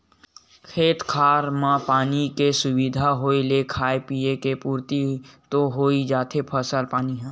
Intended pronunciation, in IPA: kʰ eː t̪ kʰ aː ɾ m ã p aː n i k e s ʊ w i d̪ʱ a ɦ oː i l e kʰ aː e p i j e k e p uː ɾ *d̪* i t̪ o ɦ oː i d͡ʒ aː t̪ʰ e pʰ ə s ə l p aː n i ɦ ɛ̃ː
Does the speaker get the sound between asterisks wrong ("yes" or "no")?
yes